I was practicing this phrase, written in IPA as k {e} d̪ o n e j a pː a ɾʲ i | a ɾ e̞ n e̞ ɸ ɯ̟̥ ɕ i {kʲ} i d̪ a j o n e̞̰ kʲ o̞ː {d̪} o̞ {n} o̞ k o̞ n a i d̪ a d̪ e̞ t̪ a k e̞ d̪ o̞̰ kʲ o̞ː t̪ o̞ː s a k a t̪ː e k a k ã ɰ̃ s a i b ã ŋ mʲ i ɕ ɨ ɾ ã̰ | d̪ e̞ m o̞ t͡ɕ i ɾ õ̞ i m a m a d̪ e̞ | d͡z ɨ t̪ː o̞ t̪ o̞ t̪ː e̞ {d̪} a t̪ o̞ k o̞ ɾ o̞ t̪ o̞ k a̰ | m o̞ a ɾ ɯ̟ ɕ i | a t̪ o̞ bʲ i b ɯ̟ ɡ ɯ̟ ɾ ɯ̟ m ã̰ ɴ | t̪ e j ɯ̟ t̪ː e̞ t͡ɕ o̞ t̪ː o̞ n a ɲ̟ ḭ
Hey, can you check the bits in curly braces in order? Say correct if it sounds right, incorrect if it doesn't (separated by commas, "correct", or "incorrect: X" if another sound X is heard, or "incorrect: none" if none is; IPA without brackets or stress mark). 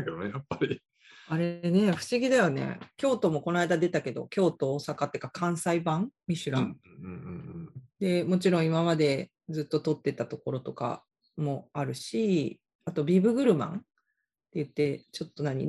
correct, incorrect: ɡʲ, incorrect: t̪, incorrect: m, incorrect: t̪